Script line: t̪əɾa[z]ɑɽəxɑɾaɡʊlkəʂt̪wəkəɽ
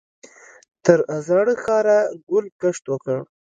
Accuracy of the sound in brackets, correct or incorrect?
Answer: correct